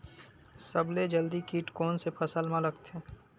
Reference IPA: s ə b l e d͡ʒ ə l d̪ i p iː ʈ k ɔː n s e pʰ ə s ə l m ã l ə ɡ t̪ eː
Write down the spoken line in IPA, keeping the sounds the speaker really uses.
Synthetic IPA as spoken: s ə b l e d͡ʒ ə l d̪ i k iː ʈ k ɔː n s e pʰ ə s ə l m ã l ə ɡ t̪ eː